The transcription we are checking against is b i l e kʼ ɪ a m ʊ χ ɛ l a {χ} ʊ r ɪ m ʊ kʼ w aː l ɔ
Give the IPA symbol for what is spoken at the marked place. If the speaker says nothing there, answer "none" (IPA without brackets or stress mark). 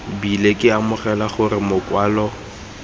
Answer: χ